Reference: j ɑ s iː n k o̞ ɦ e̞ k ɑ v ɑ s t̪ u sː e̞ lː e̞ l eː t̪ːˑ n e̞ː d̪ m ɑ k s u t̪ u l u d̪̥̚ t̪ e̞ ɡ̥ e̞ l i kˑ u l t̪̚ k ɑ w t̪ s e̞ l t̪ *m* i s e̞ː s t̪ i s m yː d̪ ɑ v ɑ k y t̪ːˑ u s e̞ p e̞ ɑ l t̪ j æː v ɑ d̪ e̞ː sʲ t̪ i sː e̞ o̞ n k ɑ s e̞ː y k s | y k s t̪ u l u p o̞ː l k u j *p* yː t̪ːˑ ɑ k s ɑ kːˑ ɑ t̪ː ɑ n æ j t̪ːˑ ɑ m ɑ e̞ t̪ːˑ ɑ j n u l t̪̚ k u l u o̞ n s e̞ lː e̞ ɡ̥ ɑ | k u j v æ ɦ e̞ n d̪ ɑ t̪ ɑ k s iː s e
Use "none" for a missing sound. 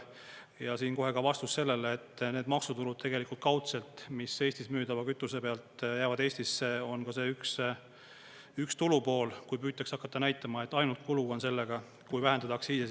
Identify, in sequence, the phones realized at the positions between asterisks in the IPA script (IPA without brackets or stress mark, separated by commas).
m, p